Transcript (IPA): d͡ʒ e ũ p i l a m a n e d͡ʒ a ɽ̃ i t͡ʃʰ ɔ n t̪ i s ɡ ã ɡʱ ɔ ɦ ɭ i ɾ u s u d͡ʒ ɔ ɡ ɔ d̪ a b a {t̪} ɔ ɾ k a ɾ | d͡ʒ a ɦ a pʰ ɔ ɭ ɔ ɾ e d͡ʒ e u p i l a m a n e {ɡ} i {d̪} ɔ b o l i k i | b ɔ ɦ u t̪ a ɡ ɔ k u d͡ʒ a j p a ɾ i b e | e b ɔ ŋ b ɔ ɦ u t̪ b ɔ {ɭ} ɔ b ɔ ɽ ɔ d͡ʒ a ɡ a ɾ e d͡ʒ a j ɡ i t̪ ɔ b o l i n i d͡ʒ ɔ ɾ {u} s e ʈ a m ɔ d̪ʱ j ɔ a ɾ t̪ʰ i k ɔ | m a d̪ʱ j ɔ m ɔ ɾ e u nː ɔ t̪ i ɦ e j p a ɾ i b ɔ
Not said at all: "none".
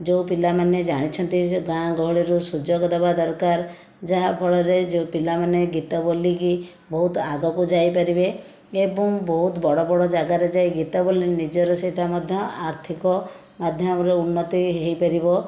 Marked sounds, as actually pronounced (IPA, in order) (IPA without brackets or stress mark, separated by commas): d̪, ɡ, t̪, ɽ, ɔ